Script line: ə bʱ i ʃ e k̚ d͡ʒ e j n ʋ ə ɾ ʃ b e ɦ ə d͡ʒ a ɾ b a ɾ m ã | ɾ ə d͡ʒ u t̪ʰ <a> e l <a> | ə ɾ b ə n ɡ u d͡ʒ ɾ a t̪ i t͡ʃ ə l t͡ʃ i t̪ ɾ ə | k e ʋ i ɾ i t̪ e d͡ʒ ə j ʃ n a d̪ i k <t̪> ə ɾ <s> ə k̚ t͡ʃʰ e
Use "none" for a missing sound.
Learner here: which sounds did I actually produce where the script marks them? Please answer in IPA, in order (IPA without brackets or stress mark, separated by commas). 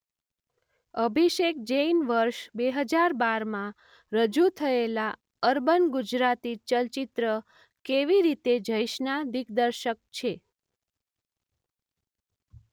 ə, a, d̪, ʃ